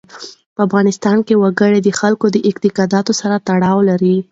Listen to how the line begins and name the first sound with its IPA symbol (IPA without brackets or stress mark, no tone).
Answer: p